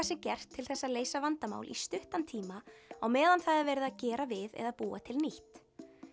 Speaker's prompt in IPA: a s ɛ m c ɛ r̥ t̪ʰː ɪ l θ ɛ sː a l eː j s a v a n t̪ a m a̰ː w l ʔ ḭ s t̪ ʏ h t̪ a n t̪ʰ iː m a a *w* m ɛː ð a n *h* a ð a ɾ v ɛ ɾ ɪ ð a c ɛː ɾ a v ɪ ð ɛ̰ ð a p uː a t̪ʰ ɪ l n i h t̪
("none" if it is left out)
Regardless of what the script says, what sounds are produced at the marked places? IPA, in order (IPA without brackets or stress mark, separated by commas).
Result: w, θ